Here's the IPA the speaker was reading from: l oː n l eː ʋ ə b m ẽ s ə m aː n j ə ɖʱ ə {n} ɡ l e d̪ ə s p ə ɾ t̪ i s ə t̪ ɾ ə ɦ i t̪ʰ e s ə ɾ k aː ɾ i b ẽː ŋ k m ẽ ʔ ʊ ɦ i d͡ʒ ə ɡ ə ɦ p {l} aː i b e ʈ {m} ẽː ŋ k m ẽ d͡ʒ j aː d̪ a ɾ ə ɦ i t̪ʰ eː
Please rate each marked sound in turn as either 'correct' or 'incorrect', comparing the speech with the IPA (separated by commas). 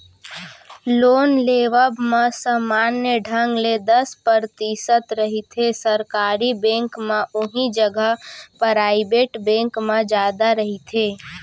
incorrect, incorrect, incorrect